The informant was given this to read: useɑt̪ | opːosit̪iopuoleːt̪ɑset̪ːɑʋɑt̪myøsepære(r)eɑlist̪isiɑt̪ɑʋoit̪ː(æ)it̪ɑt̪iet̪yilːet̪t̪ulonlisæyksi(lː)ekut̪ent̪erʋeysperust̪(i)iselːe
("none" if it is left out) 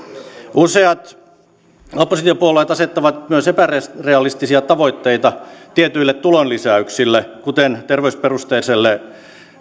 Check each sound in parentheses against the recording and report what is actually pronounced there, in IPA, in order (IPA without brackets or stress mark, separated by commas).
r, e, lː, e